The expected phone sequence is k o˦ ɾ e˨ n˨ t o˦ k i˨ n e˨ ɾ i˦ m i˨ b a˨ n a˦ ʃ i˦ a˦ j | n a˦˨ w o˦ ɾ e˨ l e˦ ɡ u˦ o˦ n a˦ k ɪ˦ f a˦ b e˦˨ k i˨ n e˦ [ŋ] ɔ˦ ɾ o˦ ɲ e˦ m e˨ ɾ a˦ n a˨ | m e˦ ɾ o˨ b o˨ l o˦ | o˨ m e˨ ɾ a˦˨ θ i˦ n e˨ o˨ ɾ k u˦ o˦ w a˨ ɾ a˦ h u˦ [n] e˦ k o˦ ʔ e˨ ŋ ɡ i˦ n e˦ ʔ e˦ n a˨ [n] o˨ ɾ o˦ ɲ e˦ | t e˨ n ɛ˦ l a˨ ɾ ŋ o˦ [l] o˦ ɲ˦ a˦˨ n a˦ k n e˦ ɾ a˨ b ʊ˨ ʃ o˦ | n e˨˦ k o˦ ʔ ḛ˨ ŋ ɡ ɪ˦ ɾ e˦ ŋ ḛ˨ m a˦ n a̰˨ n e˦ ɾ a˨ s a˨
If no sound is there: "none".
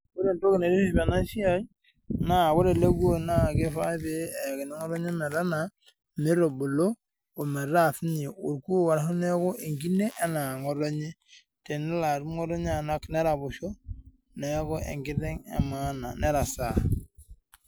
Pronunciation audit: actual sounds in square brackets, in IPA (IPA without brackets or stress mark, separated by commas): ŋ, n, ŋ, ɾ